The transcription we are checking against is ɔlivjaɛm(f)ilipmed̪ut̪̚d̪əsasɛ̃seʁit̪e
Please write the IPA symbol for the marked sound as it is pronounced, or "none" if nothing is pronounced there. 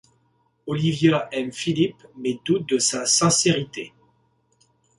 f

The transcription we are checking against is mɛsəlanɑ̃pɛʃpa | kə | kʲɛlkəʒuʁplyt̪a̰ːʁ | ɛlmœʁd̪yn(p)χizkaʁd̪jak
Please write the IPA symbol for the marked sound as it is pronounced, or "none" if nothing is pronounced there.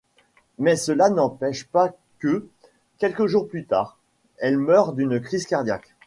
k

